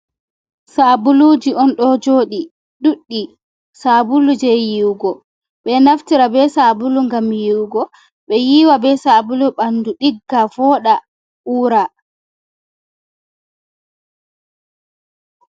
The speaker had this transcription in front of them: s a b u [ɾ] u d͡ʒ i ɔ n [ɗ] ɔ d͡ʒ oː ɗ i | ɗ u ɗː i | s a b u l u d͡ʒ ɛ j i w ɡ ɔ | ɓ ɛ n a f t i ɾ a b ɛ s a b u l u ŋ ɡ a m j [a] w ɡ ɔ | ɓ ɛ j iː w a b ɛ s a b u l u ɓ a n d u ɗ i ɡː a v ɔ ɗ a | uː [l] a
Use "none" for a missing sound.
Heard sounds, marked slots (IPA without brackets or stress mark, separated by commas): l, ɗ, i, ɾ